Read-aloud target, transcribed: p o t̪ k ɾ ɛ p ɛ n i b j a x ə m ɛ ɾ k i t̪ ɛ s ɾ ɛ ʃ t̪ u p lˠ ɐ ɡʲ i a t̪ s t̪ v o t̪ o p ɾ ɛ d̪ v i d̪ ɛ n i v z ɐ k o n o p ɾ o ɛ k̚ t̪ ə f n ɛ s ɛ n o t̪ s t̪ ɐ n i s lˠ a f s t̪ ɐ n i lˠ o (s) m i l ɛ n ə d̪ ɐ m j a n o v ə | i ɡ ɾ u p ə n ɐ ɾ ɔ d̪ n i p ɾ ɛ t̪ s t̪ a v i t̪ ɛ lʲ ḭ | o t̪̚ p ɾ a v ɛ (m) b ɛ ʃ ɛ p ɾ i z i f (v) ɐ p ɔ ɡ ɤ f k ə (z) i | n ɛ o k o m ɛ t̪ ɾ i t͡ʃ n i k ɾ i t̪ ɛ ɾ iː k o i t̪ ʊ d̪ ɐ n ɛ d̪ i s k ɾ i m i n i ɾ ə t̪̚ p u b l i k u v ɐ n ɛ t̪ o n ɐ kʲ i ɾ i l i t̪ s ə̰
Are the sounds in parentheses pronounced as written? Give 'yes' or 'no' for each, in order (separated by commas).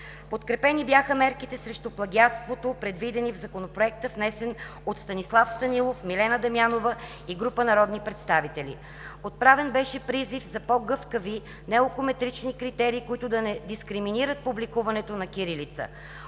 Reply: no, no, no, no